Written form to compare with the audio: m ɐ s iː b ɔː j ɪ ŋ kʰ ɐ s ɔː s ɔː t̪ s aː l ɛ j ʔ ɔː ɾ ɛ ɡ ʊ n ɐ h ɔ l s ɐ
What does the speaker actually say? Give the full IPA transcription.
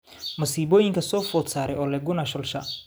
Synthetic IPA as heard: m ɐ s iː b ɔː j ɪ ŋ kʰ ɐ s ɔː f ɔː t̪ s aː ɾ ɛ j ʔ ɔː l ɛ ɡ ʊ n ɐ ʃ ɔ l ʃ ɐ

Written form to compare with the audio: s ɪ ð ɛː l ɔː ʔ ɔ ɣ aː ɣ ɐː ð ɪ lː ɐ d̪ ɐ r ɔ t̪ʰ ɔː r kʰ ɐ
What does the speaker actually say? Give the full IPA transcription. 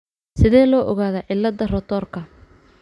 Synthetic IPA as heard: s ɪ ð ɛː l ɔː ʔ ɔ ɣ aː ð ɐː ʕ ɪ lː ɐ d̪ ɐ r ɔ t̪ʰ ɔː r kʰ ɐ

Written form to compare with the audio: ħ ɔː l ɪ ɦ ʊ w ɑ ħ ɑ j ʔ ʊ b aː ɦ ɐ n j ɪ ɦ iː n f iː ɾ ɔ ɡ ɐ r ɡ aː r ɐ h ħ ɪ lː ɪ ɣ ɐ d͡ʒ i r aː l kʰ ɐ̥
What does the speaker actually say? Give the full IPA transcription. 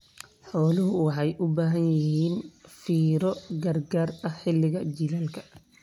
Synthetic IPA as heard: ħ ɔː l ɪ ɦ ʊ w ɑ ħ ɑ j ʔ ʊ b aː ɦ ɐ n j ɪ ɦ iː n f iː ɾ ɔ ɡ ɐ r ɡ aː r ɐ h ħ ɪ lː ɪ ɣ ɐ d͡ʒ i l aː l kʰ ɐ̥

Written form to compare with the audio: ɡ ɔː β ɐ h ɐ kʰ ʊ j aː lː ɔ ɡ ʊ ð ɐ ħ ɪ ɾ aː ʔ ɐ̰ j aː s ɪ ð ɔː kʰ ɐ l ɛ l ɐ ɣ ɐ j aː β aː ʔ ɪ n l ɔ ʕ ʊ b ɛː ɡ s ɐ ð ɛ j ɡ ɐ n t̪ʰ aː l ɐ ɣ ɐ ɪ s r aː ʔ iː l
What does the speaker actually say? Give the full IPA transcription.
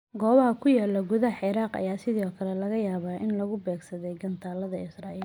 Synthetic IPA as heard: ɡ ɔː β ɐ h ɐ kʰ ʊ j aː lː ɔ ɡ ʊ ð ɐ ħ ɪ ɾ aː q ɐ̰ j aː s ɪ ð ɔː kʰ ɐ l ɛ l ɐ ɣ ɐ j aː β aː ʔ ɪ n l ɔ ɣ ʊ b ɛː ɡ s ɐ ð ɛ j ɡ ɐ n t̪ʰ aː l ɐ ð ɐ ɪ s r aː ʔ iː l

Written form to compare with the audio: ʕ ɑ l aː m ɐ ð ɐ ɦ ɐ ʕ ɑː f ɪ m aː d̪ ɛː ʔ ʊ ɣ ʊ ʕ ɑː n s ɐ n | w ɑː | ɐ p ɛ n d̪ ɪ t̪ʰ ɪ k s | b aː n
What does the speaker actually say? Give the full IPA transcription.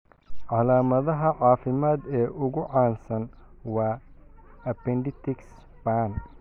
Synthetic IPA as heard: ʕ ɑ l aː m ɐ ð ɐ ɦ ɐ ʕ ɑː f ɪ m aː d̪ ɛː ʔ ʊ ɣ ʊ ʕ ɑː n s ɐ n | w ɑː | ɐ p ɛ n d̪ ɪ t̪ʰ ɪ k s | b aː n

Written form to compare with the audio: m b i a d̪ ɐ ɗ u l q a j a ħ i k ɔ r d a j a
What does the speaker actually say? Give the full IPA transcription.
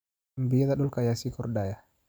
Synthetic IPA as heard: m b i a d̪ a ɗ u l k a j a s i k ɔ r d a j a

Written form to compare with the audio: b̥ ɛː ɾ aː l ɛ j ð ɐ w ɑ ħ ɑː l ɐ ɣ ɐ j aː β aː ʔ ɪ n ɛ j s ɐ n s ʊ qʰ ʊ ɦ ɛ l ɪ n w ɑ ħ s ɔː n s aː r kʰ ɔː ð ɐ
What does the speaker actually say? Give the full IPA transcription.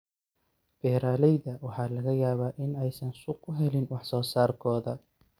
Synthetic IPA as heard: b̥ ɛː ɾ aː l ɛ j ð ɐ w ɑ ħ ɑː l ɐ ɣ ɐ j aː β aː ʔ ɪ n ɛ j s ɐ n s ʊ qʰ ʊ ɦ ɛ l ɪ n w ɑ ħ s ɔː s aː r kʰ ɔː ð ɐ

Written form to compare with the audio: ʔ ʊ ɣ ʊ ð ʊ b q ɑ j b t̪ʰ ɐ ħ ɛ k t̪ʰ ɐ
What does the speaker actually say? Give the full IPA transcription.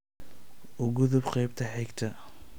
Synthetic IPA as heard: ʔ ʊ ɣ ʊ ð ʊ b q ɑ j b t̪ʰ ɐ ħ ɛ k t̪ʰ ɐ

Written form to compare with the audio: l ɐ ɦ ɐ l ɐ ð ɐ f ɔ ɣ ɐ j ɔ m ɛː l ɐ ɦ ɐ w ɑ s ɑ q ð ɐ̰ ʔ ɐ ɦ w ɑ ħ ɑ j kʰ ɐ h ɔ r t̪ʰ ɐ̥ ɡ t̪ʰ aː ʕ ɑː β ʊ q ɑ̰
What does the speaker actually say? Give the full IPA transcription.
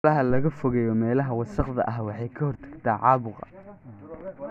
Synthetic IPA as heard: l ɐ ɦ ɐ l ɐ ɣ ɐ f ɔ ɣ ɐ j ɔ m ɛː l ɐ ɦ ɐ w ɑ s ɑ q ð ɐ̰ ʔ ɐ ɦ w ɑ ħ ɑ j kʰ ɐ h ɔ r t̪ʰ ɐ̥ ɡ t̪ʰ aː ʕ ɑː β ʊ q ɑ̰

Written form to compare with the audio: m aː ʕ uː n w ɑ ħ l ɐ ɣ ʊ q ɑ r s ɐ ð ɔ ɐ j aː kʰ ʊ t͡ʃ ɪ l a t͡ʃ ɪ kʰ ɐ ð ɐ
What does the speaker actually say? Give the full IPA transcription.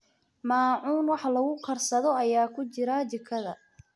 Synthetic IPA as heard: m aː ʕ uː n w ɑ ħ l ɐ ɣ ʊ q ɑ r s ɐ ð ɔ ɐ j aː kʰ ʊ t͡ʃ ɪ ɾ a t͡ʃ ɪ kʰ ɐ ð ɐ

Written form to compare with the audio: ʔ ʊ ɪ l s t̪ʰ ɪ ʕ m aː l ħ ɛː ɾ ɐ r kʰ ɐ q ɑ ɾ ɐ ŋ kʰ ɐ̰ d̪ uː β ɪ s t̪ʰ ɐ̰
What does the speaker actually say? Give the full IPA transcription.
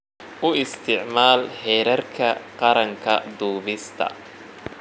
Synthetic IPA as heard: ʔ ʊ ɪ s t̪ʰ ɪ ʕ m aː l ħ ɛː ɾ ɐ r kʰ ɐ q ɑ ɾ ɐ ŋ kʰ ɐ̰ d̪ uː β ɪ s t̪ʰ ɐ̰

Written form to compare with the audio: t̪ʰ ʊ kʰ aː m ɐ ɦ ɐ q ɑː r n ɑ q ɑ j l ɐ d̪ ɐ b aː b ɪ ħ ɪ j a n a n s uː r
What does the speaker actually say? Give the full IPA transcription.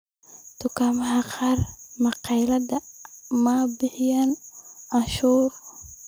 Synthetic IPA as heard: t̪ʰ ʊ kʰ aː m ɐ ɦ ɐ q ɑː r m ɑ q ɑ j l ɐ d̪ ɐ m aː b ɪ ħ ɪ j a n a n ʃ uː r

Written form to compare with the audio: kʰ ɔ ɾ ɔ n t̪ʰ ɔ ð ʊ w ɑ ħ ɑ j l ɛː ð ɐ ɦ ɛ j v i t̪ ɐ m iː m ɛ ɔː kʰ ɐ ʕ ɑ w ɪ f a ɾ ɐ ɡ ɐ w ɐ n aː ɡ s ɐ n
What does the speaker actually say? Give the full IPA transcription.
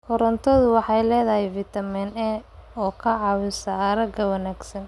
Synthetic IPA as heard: kʰ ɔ ɾ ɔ n t̪ʰ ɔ ð ʊ w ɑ ħ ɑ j l ɛː ð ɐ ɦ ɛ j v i t̪ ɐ m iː n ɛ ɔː kʰ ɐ ʕ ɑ w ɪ s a ɾ ɐ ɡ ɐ w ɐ n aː ɡ s ɐ n

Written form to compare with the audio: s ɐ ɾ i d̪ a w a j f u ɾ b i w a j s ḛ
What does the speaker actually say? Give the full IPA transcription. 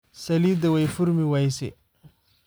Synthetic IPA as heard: s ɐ l i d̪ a w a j f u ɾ m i w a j s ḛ

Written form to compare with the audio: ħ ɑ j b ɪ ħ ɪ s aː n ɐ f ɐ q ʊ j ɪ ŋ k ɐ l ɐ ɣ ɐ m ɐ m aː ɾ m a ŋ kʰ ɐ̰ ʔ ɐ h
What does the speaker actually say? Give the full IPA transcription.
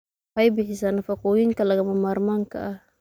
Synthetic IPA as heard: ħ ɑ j b ɪ ħ ɪ s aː n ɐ f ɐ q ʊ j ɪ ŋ k ɐ l ɐ ɣ ɐ m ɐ m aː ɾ m a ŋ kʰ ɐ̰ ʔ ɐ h

